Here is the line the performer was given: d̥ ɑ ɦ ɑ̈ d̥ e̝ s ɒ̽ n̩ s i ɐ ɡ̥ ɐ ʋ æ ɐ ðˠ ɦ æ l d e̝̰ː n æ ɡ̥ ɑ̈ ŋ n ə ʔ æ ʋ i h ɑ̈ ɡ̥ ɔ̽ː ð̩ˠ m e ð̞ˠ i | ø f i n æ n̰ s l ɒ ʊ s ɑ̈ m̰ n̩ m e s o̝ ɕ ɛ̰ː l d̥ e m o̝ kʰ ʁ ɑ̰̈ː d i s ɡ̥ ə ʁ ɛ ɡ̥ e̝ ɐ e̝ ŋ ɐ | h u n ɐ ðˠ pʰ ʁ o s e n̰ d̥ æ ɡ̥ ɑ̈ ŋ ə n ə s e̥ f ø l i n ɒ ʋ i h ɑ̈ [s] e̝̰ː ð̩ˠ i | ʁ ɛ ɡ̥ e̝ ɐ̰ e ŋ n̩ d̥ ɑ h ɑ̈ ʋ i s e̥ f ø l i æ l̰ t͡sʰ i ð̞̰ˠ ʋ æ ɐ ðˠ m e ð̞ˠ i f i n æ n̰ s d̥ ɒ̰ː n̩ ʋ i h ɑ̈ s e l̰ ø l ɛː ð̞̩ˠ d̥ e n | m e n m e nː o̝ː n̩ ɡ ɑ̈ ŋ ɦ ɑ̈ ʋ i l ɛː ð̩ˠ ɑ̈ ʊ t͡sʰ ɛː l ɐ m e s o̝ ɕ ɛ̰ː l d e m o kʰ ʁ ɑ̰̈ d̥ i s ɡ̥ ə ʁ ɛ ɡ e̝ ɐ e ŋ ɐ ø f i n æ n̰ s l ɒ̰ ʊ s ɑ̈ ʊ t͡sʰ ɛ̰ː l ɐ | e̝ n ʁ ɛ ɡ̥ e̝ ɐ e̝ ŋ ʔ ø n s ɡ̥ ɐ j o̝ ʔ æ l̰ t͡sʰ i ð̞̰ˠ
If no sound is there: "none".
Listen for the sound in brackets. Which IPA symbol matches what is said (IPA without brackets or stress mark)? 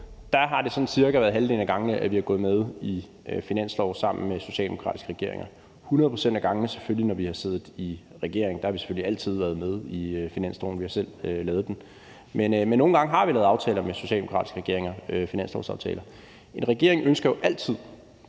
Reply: s